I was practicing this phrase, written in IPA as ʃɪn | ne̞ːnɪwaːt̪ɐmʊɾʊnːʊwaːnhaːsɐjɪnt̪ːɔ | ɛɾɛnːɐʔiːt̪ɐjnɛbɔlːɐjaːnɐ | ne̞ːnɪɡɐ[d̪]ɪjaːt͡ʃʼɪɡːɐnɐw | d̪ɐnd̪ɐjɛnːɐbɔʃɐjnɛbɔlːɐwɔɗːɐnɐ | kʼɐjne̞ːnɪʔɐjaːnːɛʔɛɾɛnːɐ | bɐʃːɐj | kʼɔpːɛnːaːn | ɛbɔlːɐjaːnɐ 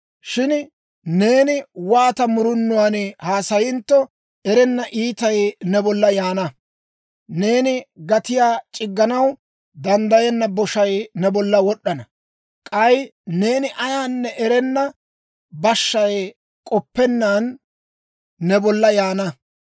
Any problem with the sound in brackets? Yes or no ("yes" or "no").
yes